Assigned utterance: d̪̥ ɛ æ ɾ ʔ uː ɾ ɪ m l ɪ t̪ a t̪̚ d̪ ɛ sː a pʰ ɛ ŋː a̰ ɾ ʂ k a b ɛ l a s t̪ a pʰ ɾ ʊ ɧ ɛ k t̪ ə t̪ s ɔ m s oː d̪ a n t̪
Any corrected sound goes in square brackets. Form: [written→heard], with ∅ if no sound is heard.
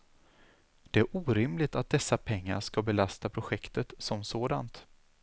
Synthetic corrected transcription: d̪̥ ɛ æ ɾ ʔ uː ɾ ɪ m l ɪ t̪ a t̪̚ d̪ ɛ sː a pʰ ɛ ŋː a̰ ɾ ʂ k a b ɛ l a s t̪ a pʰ ɾ ʊ ɧ ɛ k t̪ ə t̪ s ɔ m s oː d̪ a n t̪